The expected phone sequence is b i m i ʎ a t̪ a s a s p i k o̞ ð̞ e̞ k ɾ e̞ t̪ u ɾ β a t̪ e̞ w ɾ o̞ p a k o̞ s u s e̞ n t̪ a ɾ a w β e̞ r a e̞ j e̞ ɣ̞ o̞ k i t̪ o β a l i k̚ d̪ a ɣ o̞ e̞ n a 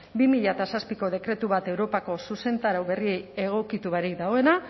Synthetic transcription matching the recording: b i m i ʎ a t̪ a s a s p i k o̞ ð̞ e̞ k ɾ e̞ t̪ u β a t̪ e̞ w ɾ o̞ p a k o̞ s u s e̞ n t̪ a ɾ a w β e̞ r i e̞ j e̞ ɣ̞ o̞ k i t̪ u β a ɾ i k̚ d̪ a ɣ o̞ e̞ n a